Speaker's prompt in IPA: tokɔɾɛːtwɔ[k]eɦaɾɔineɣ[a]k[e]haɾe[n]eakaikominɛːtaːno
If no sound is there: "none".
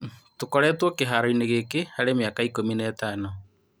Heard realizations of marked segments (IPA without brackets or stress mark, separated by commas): k, e, e, m